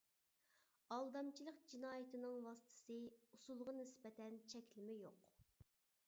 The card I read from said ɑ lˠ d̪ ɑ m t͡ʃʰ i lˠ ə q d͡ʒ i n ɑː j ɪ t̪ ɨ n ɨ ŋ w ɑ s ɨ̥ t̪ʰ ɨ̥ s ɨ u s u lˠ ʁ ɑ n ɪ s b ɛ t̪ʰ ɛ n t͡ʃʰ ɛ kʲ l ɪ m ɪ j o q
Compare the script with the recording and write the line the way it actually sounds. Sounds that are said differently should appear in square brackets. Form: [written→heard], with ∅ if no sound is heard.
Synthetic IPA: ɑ lˠ d̪ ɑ m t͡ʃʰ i lˠ ə q d͡ʒ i n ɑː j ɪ t̪ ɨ n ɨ ŋ w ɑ s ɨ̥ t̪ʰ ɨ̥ s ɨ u s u lˠ ʁ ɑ n ɪ s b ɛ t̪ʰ ɛ n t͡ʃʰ ɛ kʲ l ɪ m ɪ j o q